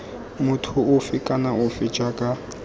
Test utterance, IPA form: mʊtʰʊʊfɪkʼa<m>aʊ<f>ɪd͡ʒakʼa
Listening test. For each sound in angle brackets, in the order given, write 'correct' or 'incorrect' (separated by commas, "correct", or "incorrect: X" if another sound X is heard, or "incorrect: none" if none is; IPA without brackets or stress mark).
incorrect: n, correct